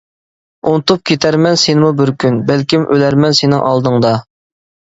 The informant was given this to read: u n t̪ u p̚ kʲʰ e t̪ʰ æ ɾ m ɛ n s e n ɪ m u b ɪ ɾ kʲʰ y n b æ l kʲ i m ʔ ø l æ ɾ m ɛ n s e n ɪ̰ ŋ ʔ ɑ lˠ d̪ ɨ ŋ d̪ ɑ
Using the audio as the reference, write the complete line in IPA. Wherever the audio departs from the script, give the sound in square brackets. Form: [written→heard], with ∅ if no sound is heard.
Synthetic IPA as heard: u n t̪ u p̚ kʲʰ e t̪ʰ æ ɾ m ɛ n s e n ɪ m u b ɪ ɾ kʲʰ y n b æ l kʲ i m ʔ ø l æ ɾ m ɛ n s e n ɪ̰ ŋ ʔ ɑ lˠ d̪ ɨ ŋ d̪ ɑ